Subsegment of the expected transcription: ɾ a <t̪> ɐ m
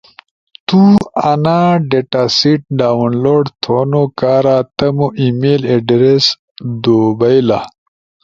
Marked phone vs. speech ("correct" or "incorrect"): correct